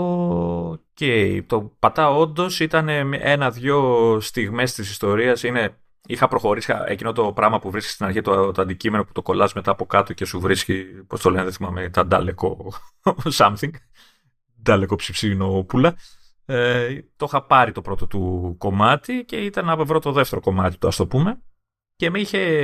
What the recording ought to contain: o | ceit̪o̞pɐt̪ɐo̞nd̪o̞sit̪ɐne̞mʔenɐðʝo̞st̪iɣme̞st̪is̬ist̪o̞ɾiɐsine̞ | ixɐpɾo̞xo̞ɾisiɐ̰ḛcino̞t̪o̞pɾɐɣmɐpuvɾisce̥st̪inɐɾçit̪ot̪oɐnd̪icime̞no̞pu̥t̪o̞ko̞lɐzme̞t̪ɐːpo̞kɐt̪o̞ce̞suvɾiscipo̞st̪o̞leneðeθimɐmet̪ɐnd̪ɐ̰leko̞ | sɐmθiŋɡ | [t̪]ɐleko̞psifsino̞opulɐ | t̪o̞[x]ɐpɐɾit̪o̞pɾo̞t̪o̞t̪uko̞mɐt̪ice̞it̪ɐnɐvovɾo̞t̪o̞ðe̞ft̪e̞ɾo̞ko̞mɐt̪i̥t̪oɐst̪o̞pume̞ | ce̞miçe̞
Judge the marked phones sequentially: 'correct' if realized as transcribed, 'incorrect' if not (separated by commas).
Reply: incorrect, correct